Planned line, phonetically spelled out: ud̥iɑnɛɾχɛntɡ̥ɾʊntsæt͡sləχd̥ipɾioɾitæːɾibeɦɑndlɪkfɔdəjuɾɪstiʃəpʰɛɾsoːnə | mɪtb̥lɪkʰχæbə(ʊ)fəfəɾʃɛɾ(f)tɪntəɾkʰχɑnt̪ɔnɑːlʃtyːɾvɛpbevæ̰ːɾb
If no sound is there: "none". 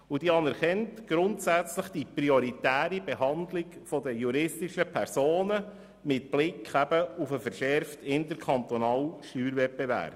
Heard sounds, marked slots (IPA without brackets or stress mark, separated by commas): u, f